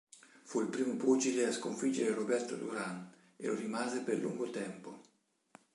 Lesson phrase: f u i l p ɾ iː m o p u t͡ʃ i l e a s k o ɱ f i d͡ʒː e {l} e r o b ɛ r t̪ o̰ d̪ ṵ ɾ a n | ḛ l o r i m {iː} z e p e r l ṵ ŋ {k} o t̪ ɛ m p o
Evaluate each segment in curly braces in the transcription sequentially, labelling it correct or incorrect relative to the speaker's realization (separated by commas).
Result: incorrect, incorrect, incorrect